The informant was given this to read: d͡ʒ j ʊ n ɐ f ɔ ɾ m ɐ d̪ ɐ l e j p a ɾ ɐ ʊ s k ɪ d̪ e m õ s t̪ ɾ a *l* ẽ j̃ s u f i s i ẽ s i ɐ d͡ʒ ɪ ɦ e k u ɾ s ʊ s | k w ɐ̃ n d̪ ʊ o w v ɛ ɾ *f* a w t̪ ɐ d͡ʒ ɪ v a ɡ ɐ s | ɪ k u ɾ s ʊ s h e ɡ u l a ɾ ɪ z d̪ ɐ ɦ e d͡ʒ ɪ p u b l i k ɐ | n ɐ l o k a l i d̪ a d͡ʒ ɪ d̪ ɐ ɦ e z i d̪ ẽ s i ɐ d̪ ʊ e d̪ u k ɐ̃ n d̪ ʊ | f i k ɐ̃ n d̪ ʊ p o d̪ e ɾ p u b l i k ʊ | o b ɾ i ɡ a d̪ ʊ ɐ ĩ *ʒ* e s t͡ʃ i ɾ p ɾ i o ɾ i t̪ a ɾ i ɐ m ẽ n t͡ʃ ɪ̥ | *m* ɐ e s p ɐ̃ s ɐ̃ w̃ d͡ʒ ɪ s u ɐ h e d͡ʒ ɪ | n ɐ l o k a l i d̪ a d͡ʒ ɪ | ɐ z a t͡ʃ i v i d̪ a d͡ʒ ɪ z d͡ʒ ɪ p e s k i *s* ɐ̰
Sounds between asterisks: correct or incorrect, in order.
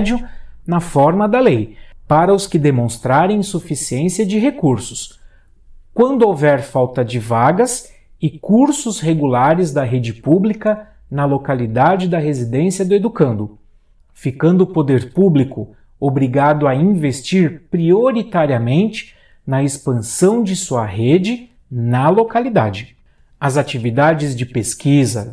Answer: incorrect, correct, incorrect, incorrect, incorrect

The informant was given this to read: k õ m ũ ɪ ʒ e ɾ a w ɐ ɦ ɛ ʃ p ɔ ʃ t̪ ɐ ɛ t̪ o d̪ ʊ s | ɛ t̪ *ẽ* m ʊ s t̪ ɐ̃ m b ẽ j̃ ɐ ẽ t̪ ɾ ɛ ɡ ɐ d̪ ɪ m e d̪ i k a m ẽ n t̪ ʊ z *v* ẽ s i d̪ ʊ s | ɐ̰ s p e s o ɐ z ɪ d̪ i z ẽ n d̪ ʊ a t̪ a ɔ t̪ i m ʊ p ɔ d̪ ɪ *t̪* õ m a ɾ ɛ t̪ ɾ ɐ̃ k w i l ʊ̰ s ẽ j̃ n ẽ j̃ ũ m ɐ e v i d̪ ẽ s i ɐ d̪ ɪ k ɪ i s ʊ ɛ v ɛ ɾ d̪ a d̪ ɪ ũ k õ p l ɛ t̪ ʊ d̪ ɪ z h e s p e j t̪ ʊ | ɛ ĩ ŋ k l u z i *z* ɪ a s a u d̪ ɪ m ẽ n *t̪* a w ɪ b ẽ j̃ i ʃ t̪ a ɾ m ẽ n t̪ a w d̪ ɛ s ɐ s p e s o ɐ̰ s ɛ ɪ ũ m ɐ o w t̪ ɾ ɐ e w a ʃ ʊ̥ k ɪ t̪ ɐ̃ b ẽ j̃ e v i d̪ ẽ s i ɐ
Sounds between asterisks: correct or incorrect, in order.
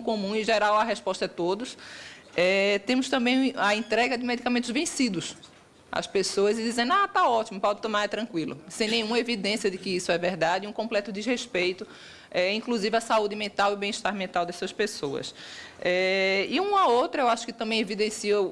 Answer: correct, correct, correct, incorrect, correct

